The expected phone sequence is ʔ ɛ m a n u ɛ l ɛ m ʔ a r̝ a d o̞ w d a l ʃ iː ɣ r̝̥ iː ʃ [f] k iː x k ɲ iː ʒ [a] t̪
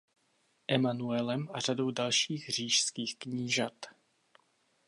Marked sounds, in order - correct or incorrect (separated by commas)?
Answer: incorrect, correct